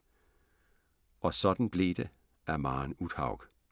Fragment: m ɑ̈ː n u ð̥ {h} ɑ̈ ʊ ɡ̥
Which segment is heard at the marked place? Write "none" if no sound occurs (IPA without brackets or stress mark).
h